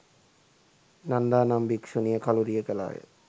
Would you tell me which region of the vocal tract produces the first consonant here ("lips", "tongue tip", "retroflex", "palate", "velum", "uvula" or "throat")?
tongue tip